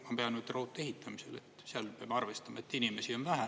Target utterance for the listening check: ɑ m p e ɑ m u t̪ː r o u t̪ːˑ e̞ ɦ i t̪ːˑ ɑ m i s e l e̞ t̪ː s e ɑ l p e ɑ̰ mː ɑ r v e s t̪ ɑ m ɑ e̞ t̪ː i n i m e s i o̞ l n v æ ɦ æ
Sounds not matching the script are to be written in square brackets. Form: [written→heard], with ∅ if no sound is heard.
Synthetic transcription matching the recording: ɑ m p e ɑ [m→n] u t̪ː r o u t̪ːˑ e̞ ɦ i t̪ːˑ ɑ m i s e l e̞ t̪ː s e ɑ l p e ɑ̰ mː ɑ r v e s t̪ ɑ m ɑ e̞ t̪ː i n i m e s i o̞ [l→∅] n v æ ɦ æ

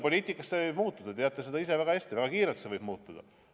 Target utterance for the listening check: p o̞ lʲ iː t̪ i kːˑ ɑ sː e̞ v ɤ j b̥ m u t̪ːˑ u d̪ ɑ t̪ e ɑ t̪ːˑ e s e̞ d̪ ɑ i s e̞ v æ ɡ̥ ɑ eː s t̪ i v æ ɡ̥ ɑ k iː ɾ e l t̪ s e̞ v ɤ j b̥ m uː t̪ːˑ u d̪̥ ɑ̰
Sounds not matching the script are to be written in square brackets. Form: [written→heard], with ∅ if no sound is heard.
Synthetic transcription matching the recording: p o̞ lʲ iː t̪ i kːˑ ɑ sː e̞ v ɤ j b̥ m [u→uː] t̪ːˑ u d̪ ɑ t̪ e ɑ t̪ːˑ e s e̞ d̪ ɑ i s e̞ v æ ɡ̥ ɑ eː s t̪ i v æ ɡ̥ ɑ k iː ɾ e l t̪ s e̞ v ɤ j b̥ m uː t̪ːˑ u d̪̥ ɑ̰

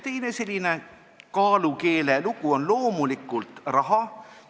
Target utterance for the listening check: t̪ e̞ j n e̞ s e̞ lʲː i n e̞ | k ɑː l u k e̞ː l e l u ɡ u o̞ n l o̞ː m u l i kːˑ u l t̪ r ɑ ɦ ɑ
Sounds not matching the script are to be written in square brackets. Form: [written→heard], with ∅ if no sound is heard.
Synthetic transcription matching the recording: t̪ e̞ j n e̞ s e̞ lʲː i n e̞ | k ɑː l u k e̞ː l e l u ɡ u o̞ n l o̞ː m u l i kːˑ u l t̪ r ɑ ɦ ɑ

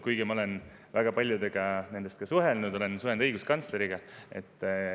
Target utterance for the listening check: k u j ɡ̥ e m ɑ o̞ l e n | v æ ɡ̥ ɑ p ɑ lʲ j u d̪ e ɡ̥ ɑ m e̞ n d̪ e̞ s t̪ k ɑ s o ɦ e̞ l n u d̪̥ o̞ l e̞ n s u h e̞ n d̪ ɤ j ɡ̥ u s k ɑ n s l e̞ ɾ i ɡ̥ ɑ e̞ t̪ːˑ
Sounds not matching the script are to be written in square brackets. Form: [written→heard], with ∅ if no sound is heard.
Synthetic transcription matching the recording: k u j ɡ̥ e m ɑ o̞ l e n | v æ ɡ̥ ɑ p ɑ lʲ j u d̪ e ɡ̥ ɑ [m→n] e̞ n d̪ e̞ s t̪ k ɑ s [o→u] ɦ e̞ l n u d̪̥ o̞ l e̞ n s u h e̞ n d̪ ɤ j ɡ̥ u s k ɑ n s l e̞ ɾ i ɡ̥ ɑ e̞ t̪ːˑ

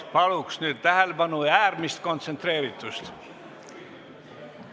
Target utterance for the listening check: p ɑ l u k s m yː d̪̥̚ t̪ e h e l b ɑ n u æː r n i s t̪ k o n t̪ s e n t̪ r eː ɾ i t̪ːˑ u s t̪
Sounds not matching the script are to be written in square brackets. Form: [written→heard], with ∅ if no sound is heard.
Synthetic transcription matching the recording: p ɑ l u k s [m→n] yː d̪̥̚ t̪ [e→æ] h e l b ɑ n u æː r [n→m] i s t̪ k o n t̪ s e n t̪ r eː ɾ i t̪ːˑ u s t̪

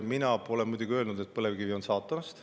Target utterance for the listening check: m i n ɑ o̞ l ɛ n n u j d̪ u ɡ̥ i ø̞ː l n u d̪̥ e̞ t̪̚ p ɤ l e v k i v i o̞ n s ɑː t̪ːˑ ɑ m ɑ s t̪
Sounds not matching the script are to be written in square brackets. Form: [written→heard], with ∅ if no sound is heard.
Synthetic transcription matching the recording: m i n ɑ o̞ l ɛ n [n→m] u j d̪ u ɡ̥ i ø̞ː l n u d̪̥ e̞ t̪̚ p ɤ l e v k i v i o̞ n s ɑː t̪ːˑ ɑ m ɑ s t̪

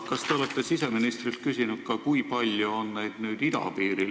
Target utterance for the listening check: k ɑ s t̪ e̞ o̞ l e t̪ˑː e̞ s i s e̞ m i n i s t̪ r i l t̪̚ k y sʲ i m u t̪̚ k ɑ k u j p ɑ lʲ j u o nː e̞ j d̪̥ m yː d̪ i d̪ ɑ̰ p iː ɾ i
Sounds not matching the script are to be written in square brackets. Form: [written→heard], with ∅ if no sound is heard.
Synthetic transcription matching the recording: k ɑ s t̪ e̞ o̞ l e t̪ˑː e̞ s i s e̞ m i n i s t̪ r i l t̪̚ k y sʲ i [m→n] u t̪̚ k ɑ k u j p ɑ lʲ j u o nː e̞ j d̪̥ [m→n] yː d̪ i d̪ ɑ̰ p iː ɾ i

